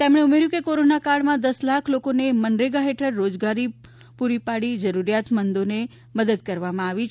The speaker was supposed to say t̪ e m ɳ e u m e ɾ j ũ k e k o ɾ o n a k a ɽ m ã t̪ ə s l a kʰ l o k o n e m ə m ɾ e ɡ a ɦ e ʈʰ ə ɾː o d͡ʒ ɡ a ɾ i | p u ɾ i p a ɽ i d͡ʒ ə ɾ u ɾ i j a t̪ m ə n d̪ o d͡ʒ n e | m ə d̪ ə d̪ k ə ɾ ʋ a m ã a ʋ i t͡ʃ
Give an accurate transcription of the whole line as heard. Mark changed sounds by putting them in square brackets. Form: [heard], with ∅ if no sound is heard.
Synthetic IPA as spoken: t̪ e m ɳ e u m e ɾ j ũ k e k o ɾ o n a k a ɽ m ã [d̪] ə s l a kʰ l o k o n e m ə [n] ɾ e ɡ a ɦ e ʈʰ ə ɾː o d͡ʒ ɡ a ɾ i | p u ɾ i p a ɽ i d͡ʒ ə ɾ u ɾ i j a t̪ m ə n d̪ o [∅] n e | m ə d̪ ə d̪ k ə ɾ ʋ a m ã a ʋ i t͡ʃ